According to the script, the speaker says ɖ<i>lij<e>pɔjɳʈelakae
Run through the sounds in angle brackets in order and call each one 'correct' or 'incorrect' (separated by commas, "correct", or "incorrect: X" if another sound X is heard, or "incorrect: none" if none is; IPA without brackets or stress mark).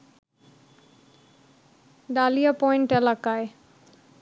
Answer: incorrect: a, incorrect: a